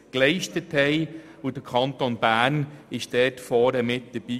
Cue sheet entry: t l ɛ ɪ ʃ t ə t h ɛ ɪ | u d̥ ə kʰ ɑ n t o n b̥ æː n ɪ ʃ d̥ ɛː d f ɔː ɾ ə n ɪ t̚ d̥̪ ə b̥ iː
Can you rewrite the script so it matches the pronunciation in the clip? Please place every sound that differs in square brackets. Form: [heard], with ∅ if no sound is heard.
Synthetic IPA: [k] l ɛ ɪ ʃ t ə t h ɛ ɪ | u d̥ ə kʰ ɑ n t o n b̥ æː n ɪ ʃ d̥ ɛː [t] f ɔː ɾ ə [m] ɪ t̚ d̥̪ ə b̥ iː